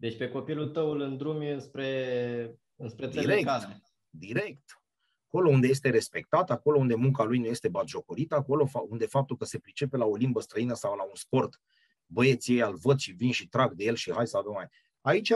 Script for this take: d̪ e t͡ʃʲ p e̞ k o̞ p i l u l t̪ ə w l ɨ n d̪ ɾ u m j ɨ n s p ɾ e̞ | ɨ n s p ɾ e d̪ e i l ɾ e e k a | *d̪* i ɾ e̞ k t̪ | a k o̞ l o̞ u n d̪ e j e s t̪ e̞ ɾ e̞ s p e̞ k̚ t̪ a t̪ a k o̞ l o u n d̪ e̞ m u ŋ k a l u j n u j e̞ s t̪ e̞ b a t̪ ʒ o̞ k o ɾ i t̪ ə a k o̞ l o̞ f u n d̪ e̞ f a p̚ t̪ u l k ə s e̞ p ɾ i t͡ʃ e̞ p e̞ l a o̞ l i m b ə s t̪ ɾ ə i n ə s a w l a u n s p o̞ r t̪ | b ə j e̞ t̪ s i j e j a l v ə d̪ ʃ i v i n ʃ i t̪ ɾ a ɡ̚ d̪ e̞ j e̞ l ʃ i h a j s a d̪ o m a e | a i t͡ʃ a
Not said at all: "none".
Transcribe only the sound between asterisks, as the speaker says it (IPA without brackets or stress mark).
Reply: d̪